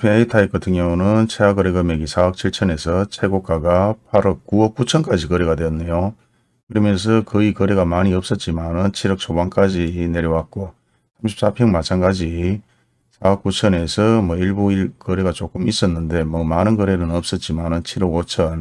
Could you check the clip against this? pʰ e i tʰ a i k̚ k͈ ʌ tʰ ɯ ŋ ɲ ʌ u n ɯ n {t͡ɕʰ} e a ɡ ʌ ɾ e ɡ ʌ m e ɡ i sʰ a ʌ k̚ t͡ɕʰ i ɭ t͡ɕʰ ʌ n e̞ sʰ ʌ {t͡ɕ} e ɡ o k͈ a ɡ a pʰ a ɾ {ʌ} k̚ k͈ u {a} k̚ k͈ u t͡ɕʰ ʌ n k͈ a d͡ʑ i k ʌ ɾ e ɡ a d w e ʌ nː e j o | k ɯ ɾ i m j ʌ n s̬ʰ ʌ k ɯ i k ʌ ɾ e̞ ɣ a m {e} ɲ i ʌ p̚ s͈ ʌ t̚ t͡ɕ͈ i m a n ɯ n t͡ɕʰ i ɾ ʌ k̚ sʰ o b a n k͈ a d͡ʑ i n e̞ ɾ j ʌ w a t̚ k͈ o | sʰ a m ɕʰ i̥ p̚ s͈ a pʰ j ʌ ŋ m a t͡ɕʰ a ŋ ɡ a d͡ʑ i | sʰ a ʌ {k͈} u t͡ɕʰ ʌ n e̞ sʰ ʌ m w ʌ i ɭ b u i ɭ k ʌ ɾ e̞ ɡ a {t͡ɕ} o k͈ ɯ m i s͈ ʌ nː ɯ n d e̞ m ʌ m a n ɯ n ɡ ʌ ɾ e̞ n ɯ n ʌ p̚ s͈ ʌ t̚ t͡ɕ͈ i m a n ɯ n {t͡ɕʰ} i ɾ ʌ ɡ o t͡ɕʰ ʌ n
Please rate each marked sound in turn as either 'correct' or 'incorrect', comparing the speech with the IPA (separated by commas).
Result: correct, incorrect, correct, incorrect, incorrect, correct, correct, correct